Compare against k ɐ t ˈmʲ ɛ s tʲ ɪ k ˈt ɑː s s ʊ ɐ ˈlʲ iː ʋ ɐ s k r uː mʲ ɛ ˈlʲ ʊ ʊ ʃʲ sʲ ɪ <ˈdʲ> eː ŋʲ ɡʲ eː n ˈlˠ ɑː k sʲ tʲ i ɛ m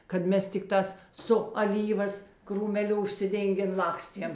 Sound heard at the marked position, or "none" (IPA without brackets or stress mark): dʲ